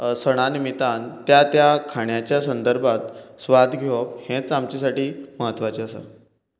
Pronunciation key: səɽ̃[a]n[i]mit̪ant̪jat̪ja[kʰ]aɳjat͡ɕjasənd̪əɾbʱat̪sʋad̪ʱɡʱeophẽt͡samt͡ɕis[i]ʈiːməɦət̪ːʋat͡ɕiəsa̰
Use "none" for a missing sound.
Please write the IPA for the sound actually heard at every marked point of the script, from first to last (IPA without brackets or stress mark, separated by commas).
a, i, kʰ, a